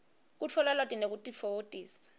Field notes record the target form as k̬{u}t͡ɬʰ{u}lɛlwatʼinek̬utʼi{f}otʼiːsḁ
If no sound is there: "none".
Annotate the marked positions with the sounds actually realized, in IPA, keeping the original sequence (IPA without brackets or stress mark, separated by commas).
u, ɔ, f